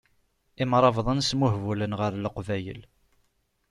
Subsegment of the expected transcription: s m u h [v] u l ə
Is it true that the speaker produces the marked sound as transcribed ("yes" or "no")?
yes